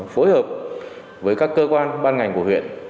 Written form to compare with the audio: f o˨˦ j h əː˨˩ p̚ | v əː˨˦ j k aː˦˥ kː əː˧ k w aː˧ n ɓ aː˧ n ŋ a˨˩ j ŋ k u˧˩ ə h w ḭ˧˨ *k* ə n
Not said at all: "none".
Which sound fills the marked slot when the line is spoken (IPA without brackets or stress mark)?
none